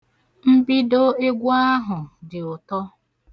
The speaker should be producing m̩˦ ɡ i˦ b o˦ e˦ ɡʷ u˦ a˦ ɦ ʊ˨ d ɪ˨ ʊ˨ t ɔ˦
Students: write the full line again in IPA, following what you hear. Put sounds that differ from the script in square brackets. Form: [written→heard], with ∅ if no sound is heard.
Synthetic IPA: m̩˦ [ɡ→b] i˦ [b→d] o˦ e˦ ɡʷ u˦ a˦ ɦ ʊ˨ d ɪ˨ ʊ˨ t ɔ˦